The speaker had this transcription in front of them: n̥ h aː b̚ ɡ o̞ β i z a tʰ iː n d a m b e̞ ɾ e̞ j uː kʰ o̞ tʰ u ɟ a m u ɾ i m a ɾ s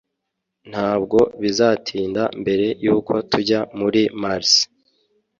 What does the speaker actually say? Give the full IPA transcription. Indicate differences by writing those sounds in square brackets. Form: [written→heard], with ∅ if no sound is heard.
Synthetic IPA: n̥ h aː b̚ ɡ o̞ β i z a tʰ iː n d a m b e̞ ɾ e̞ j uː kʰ o̞ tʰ u ɟ a m u ɾ i m a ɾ s